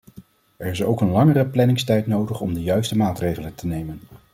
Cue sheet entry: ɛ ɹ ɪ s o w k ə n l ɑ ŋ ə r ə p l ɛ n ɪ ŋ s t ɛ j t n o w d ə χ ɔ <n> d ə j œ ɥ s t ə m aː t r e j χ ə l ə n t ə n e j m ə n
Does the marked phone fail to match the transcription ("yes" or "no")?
yes